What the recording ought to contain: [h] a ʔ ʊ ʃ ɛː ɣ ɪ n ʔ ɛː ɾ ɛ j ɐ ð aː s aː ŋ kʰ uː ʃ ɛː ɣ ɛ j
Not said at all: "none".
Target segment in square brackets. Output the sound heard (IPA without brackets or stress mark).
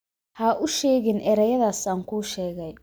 h